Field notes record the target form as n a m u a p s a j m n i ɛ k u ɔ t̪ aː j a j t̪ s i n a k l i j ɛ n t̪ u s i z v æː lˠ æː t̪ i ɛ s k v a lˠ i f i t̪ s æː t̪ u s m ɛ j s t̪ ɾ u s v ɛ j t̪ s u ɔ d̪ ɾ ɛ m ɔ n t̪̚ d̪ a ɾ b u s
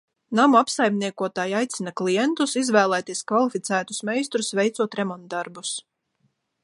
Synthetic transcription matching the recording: n a m u a p s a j m n i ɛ k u ɔ t̪ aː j a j t̪ s i n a k l i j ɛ n t̪ u s i z v æː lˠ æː t̪ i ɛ s k v a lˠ i f i t̪ s æː t̪ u s m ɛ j s t̪ ɾ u s v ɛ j t̪ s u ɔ t̪ ɾ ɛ m ɔ n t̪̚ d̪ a ɾ b u s